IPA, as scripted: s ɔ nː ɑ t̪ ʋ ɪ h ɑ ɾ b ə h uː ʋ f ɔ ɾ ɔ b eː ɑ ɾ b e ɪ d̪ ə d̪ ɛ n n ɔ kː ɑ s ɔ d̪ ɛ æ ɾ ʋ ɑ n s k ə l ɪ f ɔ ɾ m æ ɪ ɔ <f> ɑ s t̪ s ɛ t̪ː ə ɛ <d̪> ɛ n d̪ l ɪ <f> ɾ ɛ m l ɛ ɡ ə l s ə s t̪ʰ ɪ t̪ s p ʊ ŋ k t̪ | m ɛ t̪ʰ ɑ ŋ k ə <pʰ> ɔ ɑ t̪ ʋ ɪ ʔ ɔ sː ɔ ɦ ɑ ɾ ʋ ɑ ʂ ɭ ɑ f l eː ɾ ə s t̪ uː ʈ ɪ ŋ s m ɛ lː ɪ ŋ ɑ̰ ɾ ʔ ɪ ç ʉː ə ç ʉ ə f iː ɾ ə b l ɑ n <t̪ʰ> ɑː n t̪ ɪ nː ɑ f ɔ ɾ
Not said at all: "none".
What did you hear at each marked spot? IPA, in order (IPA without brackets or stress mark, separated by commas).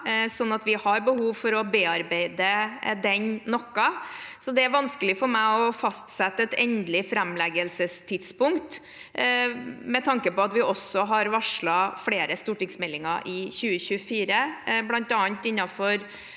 f, t̪, f, p, t̪